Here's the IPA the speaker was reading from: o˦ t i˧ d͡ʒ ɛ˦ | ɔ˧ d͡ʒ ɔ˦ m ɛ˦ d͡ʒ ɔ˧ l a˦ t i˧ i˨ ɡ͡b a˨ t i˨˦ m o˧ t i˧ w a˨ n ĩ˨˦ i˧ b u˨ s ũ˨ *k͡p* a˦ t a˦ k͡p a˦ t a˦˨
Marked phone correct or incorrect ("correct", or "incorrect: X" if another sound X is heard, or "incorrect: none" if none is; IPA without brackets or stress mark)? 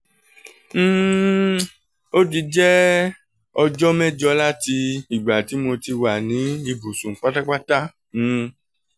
correct